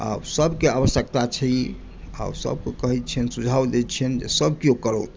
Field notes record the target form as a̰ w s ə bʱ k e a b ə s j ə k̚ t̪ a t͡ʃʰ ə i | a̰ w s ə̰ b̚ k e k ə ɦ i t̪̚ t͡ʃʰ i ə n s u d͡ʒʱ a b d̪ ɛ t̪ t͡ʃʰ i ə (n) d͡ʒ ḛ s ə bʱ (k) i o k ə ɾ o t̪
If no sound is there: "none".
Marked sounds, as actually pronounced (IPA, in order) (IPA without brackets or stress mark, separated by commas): n, k